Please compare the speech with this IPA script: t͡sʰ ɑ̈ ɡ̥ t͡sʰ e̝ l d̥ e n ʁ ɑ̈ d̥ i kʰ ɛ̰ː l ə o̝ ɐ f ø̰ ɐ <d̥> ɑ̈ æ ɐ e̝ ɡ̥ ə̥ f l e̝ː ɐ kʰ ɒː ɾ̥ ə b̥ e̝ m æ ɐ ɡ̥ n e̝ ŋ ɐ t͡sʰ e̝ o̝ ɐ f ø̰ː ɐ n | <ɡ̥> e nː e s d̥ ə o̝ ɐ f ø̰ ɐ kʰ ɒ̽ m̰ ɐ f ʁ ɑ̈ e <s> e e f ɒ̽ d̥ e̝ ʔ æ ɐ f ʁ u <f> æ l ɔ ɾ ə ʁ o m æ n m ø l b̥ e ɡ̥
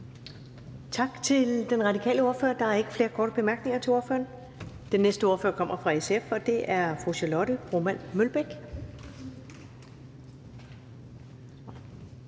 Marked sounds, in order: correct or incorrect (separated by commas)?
correct, incorrect, correct, incorrect